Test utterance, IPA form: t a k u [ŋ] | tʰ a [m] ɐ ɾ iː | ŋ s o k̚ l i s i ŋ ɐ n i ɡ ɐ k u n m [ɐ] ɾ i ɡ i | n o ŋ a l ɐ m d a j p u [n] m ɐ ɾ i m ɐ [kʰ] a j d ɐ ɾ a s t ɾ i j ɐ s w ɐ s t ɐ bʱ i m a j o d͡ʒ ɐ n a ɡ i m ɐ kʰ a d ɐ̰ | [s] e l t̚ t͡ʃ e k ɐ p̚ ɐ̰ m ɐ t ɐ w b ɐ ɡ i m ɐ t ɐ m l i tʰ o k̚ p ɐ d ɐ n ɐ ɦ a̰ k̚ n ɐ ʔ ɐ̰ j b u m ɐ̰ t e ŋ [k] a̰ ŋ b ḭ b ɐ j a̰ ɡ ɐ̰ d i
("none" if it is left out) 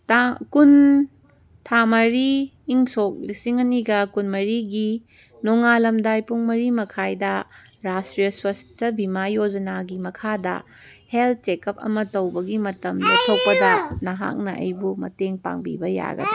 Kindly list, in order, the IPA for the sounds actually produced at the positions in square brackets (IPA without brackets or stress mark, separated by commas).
n, m, ɐ, ŋ, kʰ, h, p